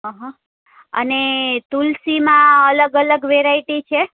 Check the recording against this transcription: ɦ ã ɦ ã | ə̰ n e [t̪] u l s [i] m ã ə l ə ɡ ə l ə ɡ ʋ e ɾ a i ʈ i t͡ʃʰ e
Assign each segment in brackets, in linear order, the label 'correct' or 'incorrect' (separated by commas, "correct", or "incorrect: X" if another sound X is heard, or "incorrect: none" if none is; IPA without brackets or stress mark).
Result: correct, correct